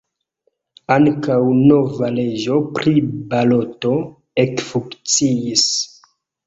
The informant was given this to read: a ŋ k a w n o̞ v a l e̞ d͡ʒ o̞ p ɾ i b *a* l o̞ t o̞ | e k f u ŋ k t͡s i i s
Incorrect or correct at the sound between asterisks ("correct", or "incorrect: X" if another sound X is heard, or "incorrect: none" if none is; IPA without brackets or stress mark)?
correct